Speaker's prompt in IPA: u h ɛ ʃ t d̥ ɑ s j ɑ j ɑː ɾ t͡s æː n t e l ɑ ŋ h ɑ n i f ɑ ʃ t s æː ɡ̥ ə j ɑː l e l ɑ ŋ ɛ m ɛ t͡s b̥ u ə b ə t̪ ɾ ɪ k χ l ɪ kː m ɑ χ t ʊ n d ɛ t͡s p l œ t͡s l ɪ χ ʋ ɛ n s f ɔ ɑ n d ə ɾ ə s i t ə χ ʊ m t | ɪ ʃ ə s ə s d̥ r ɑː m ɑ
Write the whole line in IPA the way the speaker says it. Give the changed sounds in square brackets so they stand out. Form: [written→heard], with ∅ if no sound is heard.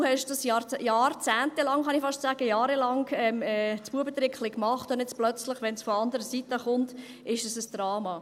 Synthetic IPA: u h ɛ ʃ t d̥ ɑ s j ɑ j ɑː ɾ t͡s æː n t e l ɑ ŋ [h→χ] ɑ n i f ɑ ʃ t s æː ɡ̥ ə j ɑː [l→ɾ] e l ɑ ŋ ɛ m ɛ t͡s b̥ u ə b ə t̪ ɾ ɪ k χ l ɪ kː m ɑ χ t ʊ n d ɛ t͡s p l œ t͡s l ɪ χ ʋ ɛ n s f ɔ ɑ n d ə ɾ ə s i t ə χ ʊ [m→n] t | ɪ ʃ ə s ə s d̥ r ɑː m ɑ

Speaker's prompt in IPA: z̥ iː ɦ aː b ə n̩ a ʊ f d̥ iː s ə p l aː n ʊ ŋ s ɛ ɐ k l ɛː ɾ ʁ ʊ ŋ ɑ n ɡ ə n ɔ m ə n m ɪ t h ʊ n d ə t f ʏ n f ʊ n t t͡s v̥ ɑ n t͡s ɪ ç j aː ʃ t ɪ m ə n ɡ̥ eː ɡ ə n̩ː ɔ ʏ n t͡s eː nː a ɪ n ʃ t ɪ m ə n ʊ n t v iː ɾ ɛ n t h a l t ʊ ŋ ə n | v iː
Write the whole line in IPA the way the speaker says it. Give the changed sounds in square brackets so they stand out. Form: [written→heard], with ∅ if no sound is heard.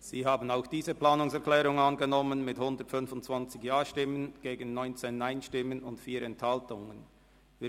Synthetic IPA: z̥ iː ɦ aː b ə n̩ a ʊ [f→x] d̥ iː [s→z] ə p l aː n ʊ ŋ s ɛ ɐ k l ɛː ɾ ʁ ʊ ŋ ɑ n ɡ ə n ɔ m ə n m ɪ t h ʊ n d ə t f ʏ n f ʊ n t t͡s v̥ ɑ n t͡s ɪ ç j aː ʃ t ɪ m ə n ɡ̥ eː ɡ ə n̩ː ɔ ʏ n t͡s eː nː a ɪ n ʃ t ɪ m ə n ʊ n t [v→f] iː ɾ ɛ n t h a l t ʊ ŋ ə n | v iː

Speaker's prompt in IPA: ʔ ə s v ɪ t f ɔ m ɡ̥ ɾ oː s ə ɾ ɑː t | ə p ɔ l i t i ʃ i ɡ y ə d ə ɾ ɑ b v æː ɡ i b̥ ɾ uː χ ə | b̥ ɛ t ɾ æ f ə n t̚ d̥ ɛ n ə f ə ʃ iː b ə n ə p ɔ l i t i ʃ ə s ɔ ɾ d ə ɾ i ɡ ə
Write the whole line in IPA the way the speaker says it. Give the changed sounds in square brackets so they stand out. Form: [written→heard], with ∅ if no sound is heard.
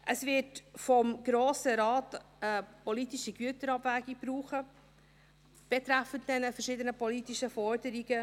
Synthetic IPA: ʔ ə s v ɪ t f ɔ m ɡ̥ ɾ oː s ə ɾ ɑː t | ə p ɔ l i t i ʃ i ɡ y ə [d→t] ə ɾ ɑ b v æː ɡ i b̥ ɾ uː χ ə | b̥ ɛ t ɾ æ f ə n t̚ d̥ ɛ n ə f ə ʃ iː [b→d] ə n ə p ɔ l i t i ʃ ə [s→f] ɔ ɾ d ə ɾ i ɡ ə

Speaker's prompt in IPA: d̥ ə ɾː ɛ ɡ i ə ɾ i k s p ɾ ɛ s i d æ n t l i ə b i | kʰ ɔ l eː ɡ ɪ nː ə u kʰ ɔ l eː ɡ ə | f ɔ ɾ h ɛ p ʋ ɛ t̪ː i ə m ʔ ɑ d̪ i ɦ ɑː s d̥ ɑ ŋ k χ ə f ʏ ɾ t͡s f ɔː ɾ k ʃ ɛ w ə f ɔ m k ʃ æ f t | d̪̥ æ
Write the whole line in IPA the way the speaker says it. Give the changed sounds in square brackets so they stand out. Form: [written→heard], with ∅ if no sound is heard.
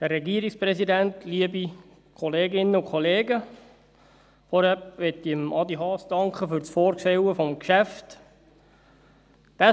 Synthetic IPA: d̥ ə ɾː ɛ ɡ i ə ɾ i k s p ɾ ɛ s i d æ n t l i ə b i | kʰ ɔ l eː ɡ ɪ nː ə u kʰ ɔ l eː ɡ ə | f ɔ ɾ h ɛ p ʋ ɛ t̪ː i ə m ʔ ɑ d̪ i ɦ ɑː s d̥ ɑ ŋ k χ ə f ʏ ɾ t͡s f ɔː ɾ k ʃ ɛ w ə f ɔ m k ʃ æ f t | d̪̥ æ

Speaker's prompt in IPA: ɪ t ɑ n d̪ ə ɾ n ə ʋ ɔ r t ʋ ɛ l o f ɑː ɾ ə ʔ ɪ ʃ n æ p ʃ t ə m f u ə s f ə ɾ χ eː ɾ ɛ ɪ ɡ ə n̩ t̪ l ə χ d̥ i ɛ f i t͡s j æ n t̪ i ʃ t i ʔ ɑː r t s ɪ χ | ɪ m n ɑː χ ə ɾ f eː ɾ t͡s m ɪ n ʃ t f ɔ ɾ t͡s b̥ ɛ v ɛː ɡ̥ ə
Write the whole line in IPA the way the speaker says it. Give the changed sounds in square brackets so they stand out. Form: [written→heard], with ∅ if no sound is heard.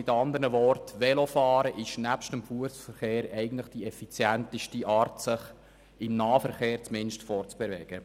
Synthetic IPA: ɪ t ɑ n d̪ ə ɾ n ə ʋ ɔ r t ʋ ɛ l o f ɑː ɾ ə ʔ ɪ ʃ n æ p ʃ t ə m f u ə s f ə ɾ χ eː ɾ ɛ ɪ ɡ ə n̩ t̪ l ə χ d̥ i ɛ f i t͡s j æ n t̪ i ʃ t i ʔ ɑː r t s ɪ χ | ɪ m n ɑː [χ→f] ə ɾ [f→χ] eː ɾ t͡s m ɪ n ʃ t f ɔ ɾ t͡s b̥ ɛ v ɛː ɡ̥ ə

